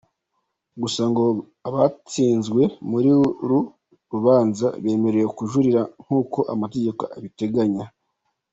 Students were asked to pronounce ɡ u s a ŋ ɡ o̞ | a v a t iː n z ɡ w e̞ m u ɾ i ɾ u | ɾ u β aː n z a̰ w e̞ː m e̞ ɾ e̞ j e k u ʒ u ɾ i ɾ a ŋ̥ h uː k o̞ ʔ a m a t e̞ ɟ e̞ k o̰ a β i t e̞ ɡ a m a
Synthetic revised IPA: ɡ u s a ŋ ɡ o̞ | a β a t͡s iː n z ɡ w e̞ m u ɾ i ɾ u | ɾ u β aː n z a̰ β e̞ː m e̞ ɾ e̞ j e k u ʒ u ɾ i ɾ a ŋ̥ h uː k o̞ ʔ a m a t e̞ ɟ e̞ k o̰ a β i t e̞ ɡ a ɲ a

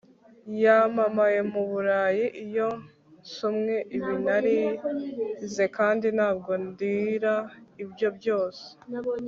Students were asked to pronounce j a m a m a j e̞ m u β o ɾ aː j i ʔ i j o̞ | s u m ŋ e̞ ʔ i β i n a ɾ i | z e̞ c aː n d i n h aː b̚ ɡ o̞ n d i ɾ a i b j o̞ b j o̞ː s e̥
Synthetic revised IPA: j a m a m a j e̞ m u β u ɾ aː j i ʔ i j o̞ | s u m ŋ e̞ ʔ i β i n a ɾ i | z e̞ k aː n d i n h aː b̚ ɡ o̞ n d i ɾ a i b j o̞ b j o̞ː s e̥

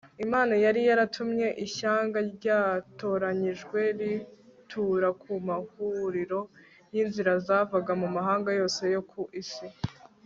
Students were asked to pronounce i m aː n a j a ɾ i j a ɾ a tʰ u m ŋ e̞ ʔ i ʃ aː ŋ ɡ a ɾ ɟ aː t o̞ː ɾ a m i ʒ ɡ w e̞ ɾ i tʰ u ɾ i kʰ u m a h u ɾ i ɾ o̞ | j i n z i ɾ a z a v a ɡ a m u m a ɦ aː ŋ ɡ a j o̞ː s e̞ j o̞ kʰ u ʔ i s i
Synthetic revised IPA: i m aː n a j a ɾ i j a ɾ a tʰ u m ɲ e̞ ʔ i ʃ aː ŋ ɡ a ɾ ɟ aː t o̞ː ɾ a ɲ i ʒ ɡ w e̞ ɾ i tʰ u ɾ a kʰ u m a h u ɾ i ɾ o̞ | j i n z i ɾ a z a v a ɡ a m u m a ɦ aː ŋ ɡ a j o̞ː s e̞ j o̞ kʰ u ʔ i s i

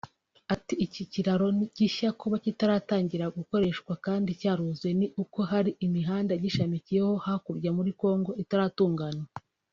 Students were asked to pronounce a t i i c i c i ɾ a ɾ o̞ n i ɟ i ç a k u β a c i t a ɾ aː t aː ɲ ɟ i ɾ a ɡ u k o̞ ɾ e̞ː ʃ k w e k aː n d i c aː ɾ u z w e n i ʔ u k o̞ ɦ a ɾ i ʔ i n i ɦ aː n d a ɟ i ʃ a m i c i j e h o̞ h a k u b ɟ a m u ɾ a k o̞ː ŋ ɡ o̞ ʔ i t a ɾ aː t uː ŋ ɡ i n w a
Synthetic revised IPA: a t i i c i c i ɾ a ɾ o̞ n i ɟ i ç a k u β a c i t a ɾ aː t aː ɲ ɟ i ɾ a ɡ u k o̞ ɾ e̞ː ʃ k w a k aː n d i c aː ɾ u z w e n i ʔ u k o̞ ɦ a ɾ i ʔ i m i ɦ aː n d a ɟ i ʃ a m i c i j e h o̞ h a k u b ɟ a m u ɾ i k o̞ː ŋ ɡ o̞ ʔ i t a ɾ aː t uː ŋ ɡ a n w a

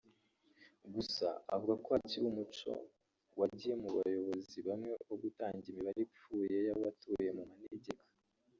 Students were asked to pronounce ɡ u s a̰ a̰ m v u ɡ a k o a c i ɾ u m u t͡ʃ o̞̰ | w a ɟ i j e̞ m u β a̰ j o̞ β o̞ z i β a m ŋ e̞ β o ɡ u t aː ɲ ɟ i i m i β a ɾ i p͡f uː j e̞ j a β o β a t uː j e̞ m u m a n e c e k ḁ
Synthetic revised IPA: ɡ u s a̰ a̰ v u ɡ a k o a c i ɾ u m u t͡ʃ o̞̰ | w a ɟ i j e̞ m u β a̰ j o̞ β o̞ z i β a m ŋ e̞ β o ɡ u t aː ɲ ɟ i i m i β a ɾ i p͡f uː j e̞ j a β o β a t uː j e̞ m u m a n e ɟ e k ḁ

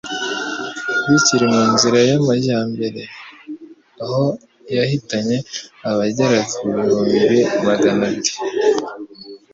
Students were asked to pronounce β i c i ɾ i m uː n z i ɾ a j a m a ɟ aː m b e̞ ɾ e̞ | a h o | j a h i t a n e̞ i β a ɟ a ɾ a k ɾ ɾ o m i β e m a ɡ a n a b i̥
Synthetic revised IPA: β i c i ɾ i m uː n z i ɾ a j a m a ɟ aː m b e̞ ɾ e̞ | a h o | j a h i t a ɲ e̞ a β a ɟ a ɾ a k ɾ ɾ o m i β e m a ɡ a n a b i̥

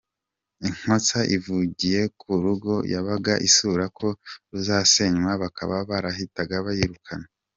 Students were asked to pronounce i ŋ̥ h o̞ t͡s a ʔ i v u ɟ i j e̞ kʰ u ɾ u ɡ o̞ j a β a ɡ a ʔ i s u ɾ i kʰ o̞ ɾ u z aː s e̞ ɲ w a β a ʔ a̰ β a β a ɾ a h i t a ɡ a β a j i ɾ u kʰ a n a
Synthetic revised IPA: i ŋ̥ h o̞ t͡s a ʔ i v u ɟ i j e̞ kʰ u ɾ u ɡ o̞ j a β a ɡ a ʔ i s u ɾ a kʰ o̞ ɾ u z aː s e̞ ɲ w a β a k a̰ β a β a ɾ a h i t a ɡ a β a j i ɾ u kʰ a n a

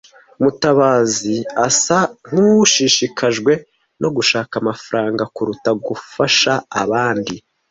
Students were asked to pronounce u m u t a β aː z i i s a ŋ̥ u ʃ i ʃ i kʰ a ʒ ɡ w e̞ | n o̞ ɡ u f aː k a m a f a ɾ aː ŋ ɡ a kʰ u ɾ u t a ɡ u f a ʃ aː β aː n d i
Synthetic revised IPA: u m u t a β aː z i a s a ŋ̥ u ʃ i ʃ i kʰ a ʒ ɡ w e̞ | n o̞ ɡ u ʃ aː k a m a f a ɾ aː ŋ ɡ a k u ɾ u t a ɡ u f a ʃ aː β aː n d i

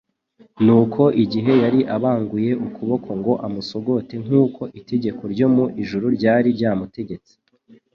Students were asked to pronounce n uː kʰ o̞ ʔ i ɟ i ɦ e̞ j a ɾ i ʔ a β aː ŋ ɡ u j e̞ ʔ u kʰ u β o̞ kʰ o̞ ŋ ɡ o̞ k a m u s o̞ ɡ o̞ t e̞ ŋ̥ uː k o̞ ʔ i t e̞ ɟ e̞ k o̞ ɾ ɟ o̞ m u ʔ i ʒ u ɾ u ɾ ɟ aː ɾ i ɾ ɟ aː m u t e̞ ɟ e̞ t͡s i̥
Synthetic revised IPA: n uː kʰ o̞ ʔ i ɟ i ɦ e̞ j a ɾ i ʔ a β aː ŋ ɡ u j e̞ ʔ u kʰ u β o̞ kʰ o̞ ŋ ɡ o̞ ʔ a m u s o̞ ɡ o̞ t e̞ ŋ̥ uː k o̞ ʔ i t e̞ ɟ e̞ k o̞ ɾ ɟ o̞ m u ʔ i ʒ u ɾ u ɾ ɟ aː ɾ i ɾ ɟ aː m u t e̞ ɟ e̞ t͡s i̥

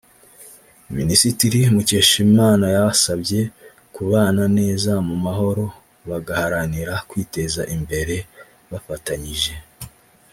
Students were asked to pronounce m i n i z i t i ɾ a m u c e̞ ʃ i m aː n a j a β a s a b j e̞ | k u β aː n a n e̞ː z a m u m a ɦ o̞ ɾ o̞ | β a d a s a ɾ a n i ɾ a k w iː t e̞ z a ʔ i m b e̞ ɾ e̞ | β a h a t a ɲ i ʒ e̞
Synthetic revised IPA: m i n i s i t i ɾ i m u c e̞ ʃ i m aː n a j a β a s a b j e̞ | k u β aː n a n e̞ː z a m u m a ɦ o̞ ɾ o̞ | β a ɡ a h a ɾ a n i ɾ a k w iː t e̞ z a ʔ i m b e̞ ɾ e̞ | β a f a t a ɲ i ʒ e̞

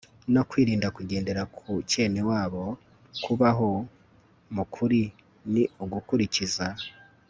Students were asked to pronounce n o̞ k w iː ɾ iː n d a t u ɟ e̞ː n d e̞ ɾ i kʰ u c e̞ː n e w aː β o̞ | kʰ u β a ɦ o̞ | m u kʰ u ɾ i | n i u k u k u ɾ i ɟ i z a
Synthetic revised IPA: n o̞ k w iː ɾ iː n d a k u ɟ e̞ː n d e̞ ɾ a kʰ u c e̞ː n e w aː β o̞ | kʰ u β a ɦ o̞ | m u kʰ u ɾ i | n i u ɡ u k u ɾ i c i z a

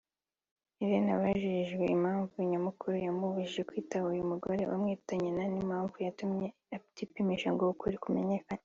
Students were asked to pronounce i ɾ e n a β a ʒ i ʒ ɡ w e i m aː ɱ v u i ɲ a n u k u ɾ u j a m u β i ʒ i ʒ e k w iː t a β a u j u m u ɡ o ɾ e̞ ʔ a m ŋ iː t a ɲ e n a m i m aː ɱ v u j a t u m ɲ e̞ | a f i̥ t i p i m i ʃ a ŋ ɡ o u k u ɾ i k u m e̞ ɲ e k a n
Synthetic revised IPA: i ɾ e n a β a ʒ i ʒ ɡ w e i m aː ɱ v u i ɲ a m u k u ɾ u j a m u β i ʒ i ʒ e k w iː t a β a u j u m u ɡ o ɾ e̞ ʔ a m ŋ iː t a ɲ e n a n i m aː ɱ v u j a t u m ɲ e̞ | a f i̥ t i p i m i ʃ a ŋ ɡ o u k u ɾ i k u m e̞ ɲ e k a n

